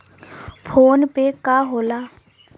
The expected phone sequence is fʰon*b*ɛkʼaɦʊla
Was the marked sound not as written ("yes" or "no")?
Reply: yes